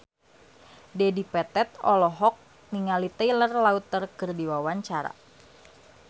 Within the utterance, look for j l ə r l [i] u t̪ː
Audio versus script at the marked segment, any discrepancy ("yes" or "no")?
yes